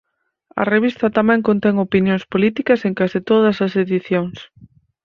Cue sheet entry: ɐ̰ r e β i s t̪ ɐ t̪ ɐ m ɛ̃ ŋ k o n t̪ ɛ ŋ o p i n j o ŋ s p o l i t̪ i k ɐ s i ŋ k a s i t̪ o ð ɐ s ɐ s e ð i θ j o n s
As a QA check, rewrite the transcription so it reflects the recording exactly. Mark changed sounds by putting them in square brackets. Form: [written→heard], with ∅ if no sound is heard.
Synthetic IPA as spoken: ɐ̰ r e β i s t̪ ɐ t̪ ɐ m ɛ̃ ŋ k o n t̪ ɛ ŋ o p i n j o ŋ s p o l i t̪ i k ɐ s [i→e] ŋ k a s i t̪ o ð ɐ s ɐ s e ð i θ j o [n→ŋ] s